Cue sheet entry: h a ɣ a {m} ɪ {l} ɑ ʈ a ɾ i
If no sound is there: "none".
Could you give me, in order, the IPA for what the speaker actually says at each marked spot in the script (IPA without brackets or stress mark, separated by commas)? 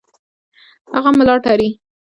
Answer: m, l